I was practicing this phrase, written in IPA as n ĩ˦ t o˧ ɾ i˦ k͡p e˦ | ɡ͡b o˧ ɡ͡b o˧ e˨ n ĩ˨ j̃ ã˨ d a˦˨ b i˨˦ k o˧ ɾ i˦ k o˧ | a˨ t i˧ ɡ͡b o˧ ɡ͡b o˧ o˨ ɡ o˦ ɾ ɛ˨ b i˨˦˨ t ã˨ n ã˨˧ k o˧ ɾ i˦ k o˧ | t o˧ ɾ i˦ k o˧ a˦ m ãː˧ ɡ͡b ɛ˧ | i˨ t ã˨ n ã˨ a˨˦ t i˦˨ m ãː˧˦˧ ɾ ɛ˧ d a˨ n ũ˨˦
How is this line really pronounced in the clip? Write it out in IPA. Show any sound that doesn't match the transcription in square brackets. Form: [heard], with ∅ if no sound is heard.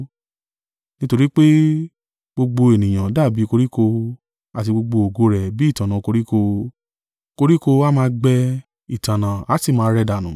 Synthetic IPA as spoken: n ĩ˦ t o˧ ɾ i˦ k͡p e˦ | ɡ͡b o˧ ɡ͡b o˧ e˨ n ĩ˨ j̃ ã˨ d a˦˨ b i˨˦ k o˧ ɾ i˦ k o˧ | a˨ t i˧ ɡ͡b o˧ ɡ͡b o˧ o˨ ɡ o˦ ɾ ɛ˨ b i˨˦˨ t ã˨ n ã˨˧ k o˧ ɾ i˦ k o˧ | [k] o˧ ɾ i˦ k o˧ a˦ m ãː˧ ɡ͡b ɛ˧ | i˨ t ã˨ n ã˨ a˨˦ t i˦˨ m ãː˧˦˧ ɾ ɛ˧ d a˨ n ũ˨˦

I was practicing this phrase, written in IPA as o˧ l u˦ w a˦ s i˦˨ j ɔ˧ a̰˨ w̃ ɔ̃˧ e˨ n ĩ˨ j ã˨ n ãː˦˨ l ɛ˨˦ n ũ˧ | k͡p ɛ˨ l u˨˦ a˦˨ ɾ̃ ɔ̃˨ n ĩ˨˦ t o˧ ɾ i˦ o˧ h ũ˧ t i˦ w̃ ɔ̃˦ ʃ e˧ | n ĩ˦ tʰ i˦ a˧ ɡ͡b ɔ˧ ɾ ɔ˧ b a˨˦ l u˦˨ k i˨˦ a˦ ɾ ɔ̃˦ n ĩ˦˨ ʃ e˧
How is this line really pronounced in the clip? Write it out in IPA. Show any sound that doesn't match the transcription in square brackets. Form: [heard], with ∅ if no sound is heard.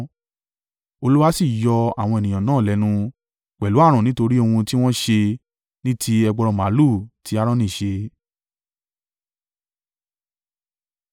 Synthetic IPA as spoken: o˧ l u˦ w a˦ s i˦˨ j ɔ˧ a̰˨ w̃ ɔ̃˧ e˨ n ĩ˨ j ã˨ n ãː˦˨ l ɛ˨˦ n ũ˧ | k͡p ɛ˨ l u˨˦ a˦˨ ɾ̃ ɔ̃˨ n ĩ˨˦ t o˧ ɾ i˦ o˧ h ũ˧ t i˦ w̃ ɔ̃˦ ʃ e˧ | n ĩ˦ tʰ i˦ [ɛ˧] ɡ͡b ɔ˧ ɾ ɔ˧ [m] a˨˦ l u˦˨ [t] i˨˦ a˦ ɾ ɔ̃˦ n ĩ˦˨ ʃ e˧

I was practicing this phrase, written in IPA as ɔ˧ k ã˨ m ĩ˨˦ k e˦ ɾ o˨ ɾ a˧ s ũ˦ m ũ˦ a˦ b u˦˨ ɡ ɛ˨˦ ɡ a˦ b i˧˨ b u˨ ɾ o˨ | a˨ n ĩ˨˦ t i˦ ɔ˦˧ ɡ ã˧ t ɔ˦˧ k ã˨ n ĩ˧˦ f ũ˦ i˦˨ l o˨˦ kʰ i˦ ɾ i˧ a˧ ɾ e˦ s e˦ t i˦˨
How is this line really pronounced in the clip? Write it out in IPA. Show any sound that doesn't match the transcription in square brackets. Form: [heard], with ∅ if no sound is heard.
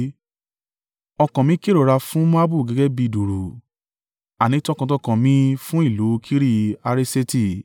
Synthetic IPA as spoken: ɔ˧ k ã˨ m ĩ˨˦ k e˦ ɾ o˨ ɾ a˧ [f] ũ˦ m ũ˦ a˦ b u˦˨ ɡ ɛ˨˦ ɡ [ɛ˦] b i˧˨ [d] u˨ ɾ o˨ | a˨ n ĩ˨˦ t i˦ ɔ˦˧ [k] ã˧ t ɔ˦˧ k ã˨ [m] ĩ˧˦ f ũ˦ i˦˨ l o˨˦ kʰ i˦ ɾ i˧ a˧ ɾ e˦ s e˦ t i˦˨

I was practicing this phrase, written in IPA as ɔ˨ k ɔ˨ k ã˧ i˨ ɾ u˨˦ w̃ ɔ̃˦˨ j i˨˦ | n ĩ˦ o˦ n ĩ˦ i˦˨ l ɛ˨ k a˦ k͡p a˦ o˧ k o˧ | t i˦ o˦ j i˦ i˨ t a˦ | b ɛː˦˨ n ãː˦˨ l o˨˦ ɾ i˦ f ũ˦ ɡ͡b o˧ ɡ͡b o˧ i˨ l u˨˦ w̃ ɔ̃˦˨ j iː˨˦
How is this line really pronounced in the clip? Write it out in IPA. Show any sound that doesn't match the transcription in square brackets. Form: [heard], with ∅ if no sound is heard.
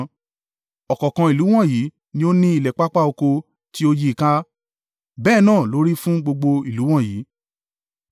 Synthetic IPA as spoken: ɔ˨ k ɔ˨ k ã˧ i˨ [l] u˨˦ w̃ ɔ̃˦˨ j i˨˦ | n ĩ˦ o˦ n ĩ˦ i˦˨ l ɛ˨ [k͡p] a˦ k͡p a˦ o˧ k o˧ | t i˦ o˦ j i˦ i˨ [k] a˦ | b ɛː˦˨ n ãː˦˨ l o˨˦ ɾ i˦ f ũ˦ ɡ͡b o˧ ɡ͡b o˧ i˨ l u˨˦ w̃ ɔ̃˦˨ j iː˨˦

